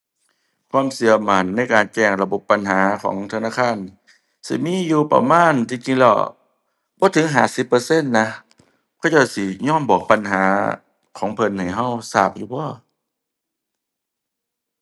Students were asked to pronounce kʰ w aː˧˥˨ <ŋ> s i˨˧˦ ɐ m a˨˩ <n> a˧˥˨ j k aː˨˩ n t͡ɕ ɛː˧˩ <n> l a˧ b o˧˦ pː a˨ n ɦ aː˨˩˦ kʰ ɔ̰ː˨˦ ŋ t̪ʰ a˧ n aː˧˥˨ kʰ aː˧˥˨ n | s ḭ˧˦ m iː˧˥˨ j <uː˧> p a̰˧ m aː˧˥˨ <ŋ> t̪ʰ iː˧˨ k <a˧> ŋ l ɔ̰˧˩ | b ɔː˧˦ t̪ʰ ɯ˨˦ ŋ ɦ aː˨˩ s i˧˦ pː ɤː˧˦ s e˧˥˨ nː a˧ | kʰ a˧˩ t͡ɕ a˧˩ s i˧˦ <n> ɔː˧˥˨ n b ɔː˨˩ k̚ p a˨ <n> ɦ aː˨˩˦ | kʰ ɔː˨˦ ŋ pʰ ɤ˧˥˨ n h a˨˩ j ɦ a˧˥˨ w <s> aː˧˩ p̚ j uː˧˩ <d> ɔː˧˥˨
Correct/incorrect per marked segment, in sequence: incorrect: m, incorrect: nː, incorrect: ŋ, correct, incorrect: n, incorrect: i˧, incorrect: ɲ, correct, correct, incorrect: b

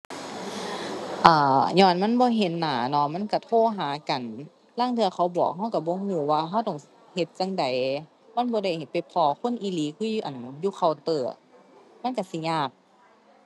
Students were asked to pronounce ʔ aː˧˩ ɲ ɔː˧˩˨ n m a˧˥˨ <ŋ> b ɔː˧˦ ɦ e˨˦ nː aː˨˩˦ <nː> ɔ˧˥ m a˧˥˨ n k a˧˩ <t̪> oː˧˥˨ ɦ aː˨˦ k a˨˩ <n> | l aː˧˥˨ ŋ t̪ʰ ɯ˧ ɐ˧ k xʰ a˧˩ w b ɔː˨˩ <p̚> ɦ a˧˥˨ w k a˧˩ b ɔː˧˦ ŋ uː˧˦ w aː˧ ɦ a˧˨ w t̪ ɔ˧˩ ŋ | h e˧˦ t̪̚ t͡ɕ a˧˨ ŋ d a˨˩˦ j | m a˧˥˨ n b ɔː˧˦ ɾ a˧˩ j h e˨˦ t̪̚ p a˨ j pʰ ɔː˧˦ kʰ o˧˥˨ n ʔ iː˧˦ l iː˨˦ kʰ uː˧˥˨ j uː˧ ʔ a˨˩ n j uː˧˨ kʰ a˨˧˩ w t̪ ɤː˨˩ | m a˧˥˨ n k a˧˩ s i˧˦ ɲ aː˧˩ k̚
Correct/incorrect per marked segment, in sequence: incorrect: n, incorrect: n, incorrect: t̪ʰ, correct, incorrect: k̚

